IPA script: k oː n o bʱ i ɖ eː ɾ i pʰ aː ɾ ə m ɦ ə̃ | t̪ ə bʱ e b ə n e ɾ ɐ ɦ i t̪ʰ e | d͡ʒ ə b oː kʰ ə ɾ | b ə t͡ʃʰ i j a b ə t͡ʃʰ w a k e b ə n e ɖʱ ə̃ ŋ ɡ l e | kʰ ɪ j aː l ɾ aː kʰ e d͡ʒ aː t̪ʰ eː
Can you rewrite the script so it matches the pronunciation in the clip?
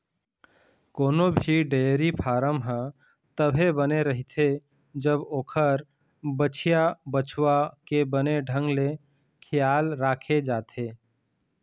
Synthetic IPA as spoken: k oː n o bʱ i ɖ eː ɾ i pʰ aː ɾ ə m ɦ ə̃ | t̪ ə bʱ e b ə n e ɾ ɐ ɦ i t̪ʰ e | d͡ʒ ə b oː kʰ ə ɾ | b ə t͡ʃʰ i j a b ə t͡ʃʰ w a k e b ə n e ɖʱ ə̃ ŋ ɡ l e | kʰ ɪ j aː l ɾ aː kʰ e d͡ʒ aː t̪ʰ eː